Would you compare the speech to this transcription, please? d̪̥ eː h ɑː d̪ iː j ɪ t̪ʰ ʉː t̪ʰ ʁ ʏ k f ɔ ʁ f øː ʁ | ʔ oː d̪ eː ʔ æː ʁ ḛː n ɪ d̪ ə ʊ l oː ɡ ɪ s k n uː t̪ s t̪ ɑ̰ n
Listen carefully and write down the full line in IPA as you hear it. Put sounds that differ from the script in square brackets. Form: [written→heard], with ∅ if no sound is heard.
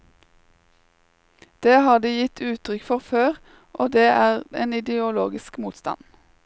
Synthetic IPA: d̪̥ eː h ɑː d̪ iː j ɪ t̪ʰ ʉː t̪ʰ ʁ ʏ k f ɔ ʁ f øː ʁ | ʔ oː d̪ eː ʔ æː ʁ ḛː n ɪ d̪ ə ʊ l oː ɡ ɪ s k [n→m] uː t̪ s t̪ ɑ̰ n